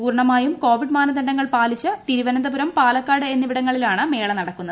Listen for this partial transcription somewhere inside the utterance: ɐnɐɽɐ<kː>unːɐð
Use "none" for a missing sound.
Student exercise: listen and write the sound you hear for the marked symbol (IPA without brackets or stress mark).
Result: kː